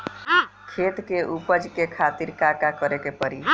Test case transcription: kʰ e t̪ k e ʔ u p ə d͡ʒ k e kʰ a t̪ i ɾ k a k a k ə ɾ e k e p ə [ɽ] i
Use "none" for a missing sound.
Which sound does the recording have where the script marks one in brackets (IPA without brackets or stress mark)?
ɾ